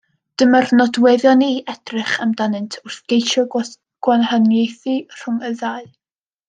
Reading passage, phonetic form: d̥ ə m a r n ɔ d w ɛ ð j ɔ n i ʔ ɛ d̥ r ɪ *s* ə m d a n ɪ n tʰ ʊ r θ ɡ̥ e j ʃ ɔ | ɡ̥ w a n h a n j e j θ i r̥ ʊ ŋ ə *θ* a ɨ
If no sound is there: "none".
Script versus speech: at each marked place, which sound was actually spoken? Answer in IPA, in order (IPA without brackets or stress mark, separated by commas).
χ, ð